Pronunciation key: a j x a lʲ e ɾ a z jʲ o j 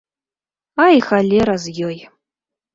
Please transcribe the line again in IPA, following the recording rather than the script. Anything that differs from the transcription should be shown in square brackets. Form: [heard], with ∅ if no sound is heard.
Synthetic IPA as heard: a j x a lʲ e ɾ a z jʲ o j